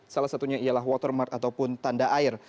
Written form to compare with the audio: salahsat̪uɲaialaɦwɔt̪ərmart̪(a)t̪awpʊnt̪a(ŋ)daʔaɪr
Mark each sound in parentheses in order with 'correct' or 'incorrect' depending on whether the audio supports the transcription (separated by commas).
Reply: correct, incorrect